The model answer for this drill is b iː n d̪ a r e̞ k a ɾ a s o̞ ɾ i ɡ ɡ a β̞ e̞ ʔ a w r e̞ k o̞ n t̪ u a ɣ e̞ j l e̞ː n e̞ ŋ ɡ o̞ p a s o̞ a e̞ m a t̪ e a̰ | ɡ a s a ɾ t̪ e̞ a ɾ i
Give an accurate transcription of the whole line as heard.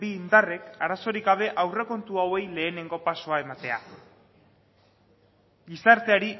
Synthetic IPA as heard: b iː n d̪ a r e̞ k a ɾ a s o̞ ɾ i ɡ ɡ a β̞ e̞ ʔ a w r e̞ k o̞ n t̪ u a w e̞ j l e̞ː n e̞ ŋ ɡ o̞ p a s o̞ a e̞ m a t̪ e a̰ | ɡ i s a ɾ t̪ e̞ a ɾ i